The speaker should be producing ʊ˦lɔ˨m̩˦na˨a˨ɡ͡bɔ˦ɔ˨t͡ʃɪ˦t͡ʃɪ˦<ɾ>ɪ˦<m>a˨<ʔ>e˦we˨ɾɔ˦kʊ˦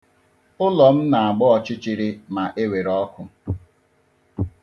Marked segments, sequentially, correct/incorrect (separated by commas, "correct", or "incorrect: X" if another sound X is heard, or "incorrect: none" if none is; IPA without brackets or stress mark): correct, correct, correct